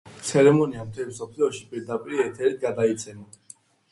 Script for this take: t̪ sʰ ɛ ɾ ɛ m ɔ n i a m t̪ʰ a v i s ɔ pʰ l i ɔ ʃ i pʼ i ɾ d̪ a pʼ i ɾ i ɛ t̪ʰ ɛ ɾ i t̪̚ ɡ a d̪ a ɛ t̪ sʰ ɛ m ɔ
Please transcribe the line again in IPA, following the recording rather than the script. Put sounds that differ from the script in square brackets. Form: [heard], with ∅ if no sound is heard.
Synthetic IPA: t̪ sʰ ɛ ɾ ɛ m ɔ n i a m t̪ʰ [ɛ] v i s ɔ pʰ l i ɔ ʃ i pʼ i ɾ d̪ a pʼ i ɾ i ɛ t̪ʰ ɛ ɾ i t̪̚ ɡ a d̪ a [i] t̪ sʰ ɛ m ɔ